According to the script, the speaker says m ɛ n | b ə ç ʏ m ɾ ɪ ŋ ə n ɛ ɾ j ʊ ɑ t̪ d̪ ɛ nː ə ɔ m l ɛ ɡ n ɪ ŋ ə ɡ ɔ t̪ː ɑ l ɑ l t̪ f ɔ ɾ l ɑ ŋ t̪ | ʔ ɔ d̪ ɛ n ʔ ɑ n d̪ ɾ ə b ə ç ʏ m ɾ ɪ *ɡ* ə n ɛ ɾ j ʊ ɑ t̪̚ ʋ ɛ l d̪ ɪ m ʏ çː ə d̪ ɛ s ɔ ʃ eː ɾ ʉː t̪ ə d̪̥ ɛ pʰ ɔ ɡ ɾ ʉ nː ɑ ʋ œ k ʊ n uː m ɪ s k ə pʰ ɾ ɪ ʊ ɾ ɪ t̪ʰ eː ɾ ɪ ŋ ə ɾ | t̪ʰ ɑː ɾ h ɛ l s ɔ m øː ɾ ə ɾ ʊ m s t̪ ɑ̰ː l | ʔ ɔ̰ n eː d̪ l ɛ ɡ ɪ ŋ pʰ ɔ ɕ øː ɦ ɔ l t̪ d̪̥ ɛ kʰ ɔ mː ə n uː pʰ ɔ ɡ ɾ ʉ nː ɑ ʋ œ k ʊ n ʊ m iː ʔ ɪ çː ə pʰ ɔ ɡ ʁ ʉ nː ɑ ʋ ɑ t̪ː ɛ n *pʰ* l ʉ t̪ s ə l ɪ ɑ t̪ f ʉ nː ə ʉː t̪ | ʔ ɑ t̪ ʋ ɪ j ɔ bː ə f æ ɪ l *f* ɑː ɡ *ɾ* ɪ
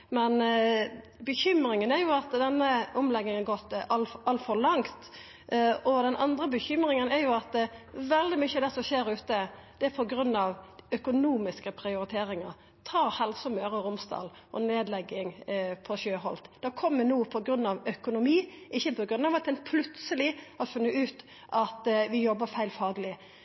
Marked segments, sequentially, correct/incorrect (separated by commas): incorrect, correct, correct, incorrect